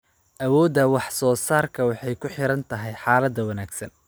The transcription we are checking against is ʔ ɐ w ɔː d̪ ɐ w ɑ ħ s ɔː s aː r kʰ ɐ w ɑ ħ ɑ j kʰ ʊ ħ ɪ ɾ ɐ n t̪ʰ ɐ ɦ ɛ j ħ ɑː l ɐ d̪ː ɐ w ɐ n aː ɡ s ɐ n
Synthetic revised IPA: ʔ ɐ w ɔː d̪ ɐ w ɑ ħ s ɔː s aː r kʰ ɐ w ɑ ħ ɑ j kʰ ʊ ħ ɪ ɾ ɐ n t̪ʰ ɐ ɦ ɛ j ħ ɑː l ɐ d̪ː ɐ w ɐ n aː ɡ s ɐ n

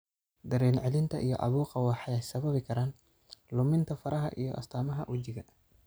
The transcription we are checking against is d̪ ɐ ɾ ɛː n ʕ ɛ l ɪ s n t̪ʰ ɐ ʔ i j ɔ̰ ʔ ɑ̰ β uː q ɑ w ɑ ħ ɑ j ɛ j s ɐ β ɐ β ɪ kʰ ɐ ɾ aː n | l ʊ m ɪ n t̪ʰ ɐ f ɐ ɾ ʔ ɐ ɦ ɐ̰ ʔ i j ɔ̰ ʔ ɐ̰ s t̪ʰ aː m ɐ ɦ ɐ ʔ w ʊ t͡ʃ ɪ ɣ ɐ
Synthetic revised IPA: d̪ ɐ ɾ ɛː n ʕ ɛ l ɪ n t̪ʰ ɐ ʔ i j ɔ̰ ʔ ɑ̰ β uː q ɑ w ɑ ħ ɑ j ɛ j s ɐ β ɐ β ɪ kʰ ɐ ɾ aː n | l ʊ m ɪ n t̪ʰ ɐ f ɐ ɾ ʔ ɐ ɦ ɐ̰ ʔ i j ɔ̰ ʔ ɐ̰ s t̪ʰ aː m ɐ ɦ ɐ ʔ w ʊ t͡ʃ ɪ ɣ ɐ

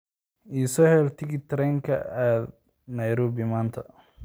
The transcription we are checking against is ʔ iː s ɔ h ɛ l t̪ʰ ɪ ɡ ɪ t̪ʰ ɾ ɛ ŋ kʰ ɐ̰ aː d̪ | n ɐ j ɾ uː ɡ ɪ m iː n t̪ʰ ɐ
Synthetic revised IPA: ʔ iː s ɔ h ɛ l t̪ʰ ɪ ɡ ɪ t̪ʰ ɾ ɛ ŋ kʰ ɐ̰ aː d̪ | n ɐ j ɾ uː b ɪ m aː n t̪ʰ ɐ

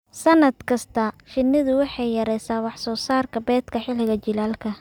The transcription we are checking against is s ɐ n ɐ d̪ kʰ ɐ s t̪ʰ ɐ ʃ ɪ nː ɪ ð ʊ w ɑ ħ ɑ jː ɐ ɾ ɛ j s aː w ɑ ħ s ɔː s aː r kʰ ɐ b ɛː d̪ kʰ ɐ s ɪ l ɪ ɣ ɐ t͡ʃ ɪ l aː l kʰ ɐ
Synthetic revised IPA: s ɐ n ɐ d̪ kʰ ɐ s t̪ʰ ɐ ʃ ɪ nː ɪ ð ʊ w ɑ ħ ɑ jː ɐ ɾ ɛ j s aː w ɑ ħ s ɔː s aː r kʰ ɐ b ɛː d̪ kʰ ɐ ħ ɪ l ɪ ɣ ɐ t͡ʃ ɪ l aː l kʰ ɐ

